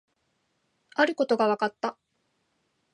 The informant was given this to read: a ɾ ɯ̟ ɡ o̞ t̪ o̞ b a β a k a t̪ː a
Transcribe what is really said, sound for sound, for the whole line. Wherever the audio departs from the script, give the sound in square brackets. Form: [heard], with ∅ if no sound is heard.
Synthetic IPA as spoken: a ɾ ɯ̟ [k] o̞ t̪ o̞ [ɡ] a β a k a t̪ː a